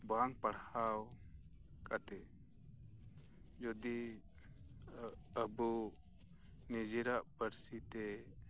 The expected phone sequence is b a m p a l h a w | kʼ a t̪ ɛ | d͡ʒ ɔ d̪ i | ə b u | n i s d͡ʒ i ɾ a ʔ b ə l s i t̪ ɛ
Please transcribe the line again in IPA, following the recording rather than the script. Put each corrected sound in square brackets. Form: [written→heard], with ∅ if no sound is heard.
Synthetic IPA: b a [m→ŋ] p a [l→ɽ] h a w | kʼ a t̪ ɛ | d͡ʒ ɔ d̪ i | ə b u | n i [s→∅] d͡ʒ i ɾ a ʔ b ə [l→ɾ] s i t̪ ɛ